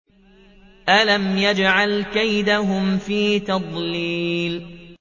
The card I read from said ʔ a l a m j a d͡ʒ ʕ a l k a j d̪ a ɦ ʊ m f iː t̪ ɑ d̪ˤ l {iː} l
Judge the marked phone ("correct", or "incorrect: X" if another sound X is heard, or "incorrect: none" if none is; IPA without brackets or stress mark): correct